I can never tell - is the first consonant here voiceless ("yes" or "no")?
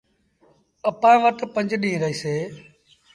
yes